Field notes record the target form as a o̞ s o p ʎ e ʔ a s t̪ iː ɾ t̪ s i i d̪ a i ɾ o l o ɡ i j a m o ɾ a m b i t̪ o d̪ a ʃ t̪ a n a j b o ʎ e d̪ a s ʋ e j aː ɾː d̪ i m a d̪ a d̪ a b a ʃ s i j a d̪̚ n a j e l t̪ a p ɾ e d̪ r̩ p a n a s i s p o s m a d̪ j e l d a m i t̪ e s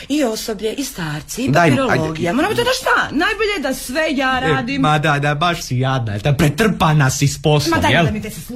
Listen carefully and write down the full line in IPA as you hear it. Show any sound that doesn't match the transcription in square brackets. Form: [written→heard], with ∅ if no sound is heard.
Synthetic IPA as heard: [a→i] o̞ s o [p→b] ʎ e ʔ [a→i] s t̪ [iː→aː] ɾ t̪ s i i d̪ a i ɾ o l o ɡ i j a m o ɾ a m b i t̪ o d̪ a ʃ t̪ a n a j b o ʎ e d̪ a s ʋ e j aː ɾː d̪ i m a d̪ a d̪ a b a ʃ s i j a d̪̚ n a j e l t̪ a p ɾ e [d̪→t̪] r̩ p a n a s i s p o s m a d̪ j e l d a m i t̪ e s